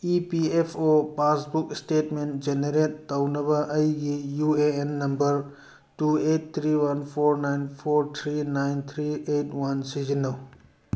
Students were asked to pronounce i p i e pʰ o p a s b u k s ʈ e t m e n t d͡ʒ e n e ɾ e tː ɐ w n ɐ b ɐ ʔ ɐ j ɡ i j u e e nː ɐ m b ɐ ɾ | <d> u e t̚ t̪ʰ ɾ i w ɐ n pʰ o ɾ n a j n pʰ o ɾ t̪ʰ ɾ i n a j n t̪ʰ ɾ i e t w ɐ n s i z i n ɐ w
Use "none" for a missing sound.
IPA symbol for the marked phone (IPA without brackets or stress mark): t